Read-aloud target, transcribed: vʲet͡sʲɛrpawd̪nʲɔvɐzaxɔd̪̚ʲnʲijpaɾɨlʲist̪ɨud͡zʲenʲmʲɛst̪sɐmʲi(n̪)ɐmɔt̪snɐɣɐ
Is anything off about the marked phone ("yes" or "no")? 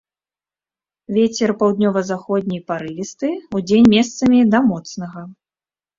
yes